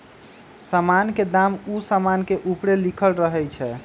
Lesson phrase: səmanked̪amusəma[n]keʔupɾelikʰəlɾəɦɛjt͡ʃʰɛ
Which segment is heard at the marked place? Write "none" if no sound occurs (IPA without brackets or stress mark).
n